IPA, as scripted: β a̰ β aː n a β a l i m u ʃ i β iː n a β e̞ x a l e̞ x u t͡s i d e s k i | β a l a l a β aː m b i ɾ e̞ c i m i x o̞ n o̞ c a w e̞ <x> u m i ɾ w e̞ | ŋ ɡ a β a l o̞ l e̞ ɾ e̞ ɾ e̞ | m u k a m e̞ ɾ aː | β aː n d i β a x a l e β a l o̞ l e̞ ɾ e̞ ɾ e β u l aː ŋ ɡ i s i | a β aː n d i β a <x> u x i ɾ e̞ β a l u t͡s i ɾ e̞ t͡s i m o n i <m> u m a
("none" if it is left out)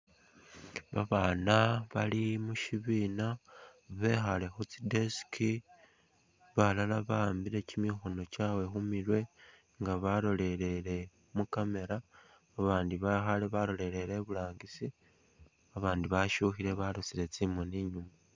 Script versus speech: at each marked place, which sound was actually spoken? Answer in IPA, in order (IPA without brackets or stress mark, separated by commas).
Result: x, ʃ, ɲ